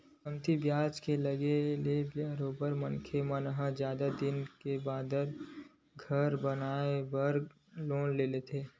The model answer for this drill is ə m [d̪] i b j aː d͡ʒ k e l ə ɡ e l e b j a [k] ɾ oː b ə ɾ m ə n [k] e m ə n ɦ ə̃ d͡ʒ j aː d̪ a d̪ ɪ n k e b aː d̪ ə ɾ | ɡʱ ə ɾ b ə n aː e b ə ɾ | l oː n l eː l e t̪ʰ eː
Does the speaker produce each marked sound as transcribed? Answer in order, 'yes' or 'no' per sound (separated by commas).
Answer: no, no, no